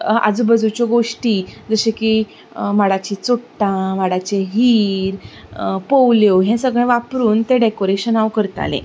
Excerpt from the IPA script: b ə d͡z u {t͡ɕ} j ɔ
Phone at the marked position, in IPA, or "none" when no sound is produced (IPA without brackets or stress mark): t͡ɕ